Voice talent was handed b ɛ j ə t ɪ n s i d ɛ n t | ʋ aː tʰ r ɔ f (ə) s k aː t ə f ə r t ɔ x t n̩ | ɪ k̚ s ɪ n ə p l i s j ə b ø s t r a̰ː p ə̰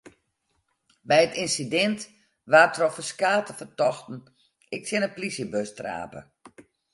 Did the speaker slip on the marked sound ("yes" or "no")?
no